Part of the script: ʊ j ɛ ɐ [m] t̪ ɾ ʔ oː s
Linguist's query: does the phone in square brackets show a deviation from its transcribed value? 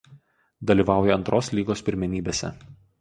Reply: yes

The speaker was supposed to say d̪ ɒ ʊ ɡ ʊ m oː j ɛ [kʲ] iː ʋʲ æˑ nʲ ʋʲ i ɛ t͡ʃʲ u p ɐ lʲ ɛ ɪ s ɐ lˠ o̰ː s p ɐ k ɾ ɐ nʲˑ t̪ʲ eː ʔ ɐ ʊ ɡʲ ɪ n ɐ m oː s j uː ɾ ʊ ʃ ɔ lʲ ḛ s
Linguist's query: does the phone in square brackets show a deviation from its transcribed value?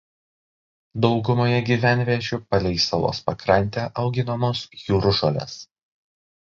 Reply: yes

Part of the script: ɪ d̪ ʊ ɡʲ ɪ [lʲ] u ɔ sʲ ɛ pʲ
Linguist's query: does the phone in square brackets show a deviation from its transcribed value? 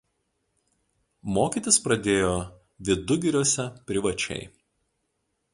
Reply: yes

